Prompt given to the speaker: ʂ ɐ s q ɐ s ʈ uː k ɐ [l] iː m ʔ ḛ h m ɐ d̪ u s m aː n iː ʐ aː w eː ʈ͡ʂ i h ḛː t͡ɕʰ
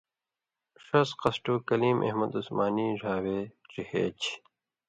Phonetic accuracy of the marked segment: correct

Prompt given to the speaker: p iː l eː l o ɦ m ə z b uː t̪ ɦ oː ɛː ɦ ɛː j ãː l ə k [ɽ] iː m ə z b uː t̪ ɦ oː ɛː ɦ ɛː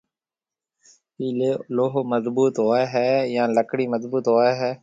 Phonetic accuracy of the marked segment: correct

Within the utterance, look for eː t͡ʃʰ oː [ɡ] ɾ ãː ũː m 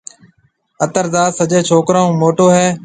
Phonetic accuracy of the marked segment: incorrect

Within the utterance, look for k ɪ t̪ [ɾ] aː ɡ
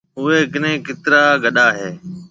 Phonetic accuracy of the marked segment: correct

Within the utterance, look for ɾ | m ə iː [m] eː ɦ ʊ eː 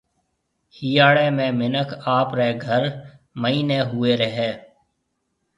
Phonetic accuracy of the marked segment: incorrect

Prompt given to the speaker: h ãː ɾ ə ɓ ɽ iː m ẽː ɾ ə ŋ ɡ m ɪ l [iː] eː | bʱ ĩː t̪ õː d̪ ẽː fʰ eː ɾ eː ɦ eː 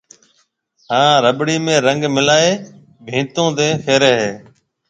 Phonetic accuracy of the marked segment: incorrect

